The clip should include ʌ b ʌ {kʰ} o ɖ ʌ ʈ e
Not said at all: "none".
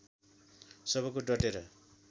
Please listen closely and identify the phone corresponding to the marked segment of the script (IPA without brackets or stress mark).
k